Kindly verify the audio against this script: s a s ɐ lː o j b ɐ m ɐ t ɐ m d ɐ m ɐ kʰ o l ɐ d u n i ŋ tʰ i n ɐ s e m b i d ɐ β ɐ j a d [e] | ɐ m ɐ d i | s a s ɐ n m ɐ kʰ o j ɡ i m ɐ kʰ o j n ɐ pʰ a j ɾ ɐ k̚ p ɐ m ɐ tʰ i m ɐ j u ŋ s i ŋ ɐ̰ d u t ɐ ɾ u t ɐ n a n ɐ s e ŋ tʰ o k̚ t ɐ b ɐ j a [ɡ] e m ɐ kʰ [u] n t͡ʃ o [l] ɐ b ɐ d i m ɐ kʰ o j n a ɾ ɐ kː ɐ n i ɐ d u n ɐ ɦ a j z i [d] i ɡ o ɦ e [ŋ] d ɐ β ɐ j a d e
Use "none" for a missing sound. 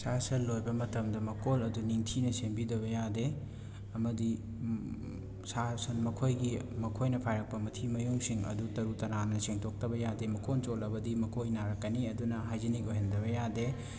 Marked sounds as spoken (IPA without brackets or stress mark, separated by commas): e, d, o, l, n, n